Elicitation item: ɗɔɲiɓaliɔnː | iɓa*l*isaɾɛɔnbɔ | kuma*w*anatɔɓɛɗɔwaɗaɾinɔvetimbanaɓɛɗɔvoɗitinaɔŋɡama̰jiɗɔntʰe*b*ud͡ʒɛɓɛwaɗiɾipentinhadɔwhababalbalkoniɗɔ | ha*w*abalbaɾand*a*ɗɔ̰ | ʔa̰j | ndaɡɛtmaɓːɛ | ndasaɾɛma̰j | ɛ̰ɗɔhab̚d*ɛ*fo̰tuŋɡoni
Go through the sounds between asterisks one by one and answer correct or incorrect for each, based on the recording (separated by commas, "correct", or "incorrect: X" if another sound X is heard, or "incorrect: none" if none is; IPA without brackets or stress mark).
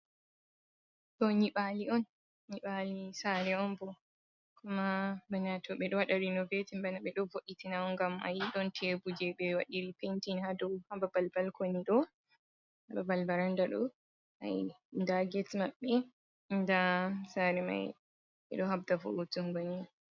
correct, incorrect: b, correct, incorrect: b, correct, incorrect: a